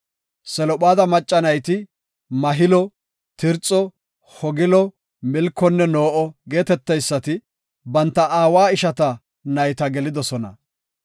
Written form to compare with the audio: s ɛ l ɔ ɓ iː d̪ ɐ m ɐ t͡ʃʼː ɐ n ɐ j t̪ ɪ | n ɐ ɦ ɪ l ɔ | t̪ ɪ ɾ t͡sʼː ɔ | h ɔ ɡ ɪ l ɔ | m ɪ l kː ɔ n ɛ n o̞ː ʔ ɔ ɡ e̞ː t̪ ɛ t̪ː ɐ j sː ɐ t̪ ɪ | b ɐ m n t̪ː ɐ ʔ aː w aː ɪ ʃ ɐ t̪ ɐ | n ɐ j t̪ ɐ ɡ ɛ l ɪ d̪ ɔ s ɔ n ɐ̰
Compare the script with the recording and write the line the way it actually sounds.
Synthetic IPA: s ɛ l ɔ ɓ aː d̪ ɐ m ɐ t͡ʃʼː ɐ n ɐ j t̪ ɪ | m ɐ ɦ ɪ l ɔ | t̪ ɪ ɾ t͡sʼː ɔ | h ɔ ɡ ɪ l ɔ | m ɪ l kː ɔ nː ɛ n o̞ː ʔ ɔ ɡ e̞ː t̪ ɛ t̪ː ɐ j sː ɐ t̪ ɪ | b ɐ n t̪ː ɐ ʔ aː w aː ɪ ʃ ɐ t̪ ɐ | n ɐ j t̪ ɐ ɡ ɛ l ɪ d̪ ɔ s ɔ n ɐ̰